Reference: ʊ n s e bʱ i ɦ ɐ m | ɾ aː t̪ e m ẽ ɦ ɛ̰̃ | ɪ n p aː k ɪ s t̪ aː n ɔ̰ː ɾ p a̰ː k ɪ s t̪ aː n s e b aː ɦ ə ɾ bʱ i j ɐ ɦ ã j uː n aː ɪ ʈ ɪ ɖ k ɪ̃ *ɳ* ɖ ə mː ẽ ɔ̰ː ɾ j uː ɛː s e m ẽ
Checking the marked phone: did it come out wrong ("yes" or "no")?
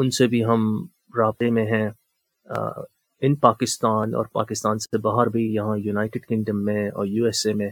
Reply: yes